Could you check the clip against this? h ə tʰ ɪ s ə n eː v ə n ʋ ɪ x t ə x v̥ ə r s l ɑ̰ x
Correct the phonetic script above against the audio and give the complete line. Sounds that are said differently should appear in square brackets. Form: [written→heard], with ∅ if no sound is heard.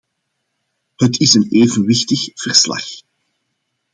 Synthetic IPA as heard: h ə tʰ ɪ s ə n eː v ə n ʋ ɪ x t ə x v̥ ə r s l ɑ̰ x